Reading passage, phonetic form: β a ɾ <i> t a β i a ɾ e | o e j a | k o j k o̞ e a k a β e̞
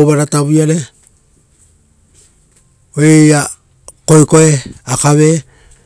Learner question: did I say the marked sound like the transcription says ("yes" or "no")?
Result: no